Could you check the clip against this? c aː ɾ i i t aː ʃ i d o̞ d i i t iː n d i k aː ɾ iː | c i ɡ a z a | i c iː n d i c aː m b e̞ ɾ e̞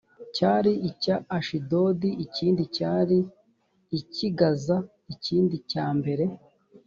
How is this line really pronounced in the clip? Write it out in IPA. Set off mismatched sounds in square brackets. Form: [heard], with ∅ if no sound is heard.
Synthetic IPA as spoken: c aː ɾ i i [c] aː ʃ i d o̞ d i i [c] iː n d i [c] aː ɾ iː | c i ɡ a z a | i c iː n d i c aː m b e̞ ɾ e̞